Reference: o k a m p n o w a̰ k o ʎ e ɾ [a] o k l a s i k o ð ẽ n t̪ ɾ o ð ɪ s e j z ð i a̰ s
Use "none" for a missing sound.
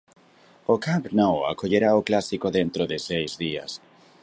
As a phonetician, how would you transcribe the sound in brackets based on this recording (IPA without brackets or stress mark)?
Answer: a